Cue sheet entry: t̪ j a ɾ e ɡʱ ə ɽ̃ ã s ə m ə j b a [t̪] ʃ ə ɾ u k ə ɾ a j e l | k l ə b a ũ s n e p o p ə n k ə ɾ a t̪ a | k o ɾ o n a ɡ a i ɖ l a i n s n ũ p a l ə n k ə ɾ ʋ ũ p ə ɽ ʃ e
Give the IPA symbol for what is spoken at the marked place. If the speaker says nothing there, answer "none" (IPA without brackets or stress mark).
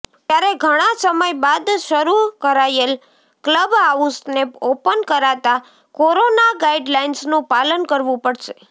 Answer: d̪